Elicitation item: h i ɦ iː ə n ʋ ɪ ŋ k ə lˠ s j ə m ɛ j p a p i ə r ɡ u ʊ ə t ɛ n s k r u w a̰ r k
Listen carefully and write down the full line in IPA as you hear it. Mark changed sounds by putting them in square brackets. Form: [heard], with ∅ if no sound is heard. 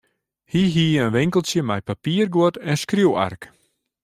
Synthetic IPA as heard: h i ɦ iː ə n ʋ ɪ ŋ k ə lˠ s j ə m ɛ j p a p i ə r ɡ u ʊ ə t ɛ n s k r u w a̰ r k